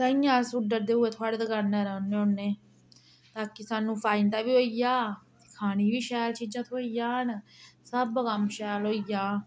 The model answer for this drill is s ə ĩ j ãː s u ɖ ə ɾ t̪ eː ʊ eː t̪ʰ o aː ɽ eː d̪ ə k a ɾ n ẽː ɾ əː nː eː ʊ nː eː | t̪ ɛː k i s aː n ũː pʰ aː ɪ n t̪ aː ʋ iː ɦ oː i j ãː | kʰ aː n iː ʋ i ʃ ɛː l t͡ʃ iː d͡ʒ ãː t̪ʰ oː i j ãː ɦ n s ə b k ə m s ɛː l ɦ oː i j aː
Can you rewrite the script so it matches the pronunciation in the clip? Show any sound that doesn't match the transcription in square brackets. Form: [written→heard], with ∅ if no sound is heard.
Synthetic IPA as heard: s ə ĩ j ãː s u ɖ ə ɾ [t̪→d̪] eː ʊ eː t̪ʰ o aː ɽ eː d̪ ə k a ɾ n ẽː ɾ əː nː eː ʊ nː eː | t̪ [ɛː→aː] k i s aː n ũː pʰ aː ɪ n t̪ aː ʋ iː ɦ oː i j [ãː→aː] | kʰ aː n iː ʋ [i→iː] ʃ ɛː l t͡ʃ iː d͡ʒ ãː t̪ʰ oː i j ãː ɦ n s ə b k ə m [s→ʃ] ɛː l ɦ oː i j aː